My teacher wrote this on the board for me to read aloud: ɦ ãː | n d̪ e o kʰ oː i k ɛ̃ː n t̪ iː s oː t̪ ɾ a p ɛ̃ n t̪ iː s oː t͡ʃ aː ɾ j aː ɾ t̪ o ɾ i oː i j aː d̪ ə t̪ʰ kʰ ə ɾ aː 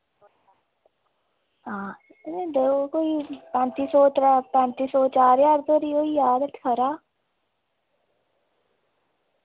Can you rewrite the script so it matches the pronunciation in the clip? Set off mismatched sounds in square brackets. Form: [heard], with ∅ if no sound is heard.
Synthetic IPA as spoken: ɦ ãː | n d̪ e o [k] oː i [p] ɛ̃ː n t̪ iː s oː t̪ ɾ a p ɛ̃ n t̪ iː s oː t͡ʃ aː ɾ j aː ɾ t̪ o ɾ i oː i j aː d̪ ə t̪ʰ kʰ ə ɾ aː